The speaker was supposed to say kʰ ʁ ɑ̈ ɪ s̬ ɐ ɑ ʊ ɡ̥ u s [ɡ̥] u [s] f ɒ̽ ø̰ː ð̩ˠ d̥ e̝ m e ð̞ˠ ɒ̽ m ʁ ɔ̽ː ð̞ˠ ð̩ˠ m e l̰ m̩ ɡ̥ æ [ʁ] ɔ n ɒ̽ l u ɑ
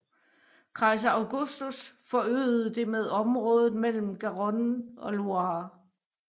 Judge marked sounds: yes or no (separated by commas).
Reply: no, yes, yes